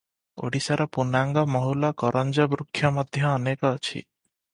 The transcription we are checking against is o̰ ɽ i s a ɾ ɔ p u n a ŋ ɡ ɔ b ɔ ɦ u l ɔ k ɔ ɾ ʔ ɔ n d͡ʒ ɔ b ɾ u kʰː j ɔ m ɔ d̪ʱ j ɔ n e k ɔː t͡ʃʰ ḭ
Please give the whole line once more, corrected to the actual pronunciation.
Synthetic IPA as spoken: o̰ ɽ i s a ɾ ɔ p u n a ŋ ɡ ɔ m ɔ ɦ u l ɔ k ɔ ɾ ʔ ɔ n d͡ʒ ɔ b ɾ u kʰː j ɔ m ɔ d̪ʱ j ɔː n e k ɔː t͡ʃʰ ḭ